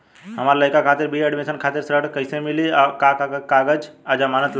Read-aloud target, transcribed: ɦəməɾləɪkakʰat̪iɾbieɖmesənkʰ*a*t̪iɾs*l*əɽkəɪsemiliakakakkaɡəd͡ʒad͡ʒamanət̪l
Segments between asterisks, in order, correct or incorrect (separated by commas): correct, incorrect